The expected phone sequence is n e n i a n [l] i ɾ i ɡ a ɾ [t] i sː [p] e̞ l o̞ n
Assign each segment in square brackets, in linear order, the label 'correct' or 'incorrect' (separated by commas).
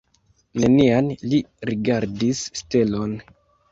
correct, incorrect, incorrect